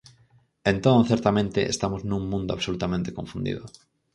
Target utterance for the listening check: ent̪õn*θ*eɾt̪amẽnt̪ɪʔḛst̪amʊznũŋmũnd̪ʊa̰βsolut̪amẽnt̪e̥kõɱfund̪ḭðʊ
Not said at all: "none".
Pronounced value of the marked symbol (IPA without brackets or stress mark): θ